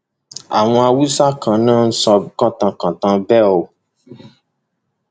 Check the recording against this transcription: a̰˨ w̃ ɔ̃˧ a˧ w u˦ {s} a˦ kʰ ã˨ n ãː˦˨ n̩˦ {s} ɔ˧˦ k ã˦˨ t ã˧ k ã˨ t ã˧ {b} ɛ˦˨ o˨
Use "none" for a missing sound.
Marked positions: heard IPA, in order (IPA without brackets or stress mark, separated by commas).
s, s, b